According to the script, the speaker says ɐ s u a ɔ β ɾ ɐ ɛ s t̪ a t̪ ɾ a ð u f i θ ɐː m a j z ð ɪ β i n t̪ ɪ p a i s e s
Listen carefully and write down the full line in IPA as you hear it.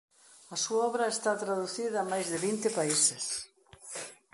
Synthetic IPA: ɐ s u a ɔ β ɾ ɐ e s t̪ a t̪ ɾ a ð u θ i ð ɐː m a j z ð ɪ β i n t̪ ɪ p a i s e s